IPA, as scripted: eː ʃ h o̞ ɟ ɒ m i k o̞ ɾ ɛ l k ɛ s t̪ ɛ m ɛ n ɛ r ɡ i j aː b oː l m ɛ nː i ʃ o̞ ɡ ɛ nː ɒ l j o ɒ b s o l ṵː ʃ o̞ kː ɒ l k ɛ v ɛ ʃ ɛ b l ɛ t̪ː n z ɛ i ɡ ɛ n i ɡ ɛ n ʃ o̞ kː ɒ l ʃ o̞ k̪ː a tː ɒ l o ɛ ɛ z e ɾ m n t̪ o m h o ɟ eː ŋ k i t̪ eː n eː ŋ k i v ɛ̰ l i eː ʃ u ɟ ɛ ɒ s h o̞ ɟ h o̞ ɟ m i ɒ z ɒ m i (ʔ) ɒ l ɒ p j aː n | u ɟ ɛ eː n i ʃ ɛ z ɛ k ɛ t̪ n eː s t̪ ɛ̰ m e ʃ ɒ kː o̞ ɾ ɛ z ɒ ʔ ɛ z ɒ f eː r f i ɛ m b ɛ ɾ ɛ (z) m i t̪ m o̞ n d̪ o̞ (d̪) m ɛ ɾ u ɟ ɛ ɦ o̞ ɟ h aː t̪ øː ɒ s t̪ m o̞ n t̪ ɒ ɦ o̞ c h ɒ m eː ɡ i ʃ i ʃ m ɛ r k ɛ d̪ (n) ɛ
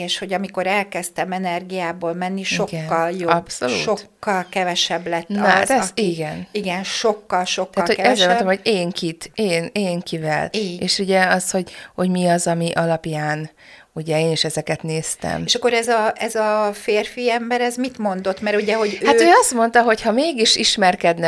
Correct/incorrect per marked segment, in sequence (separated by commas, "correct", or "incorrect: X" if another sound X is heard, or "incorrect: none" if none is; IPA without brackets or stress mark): correct, correct, incorrect: t̪, correct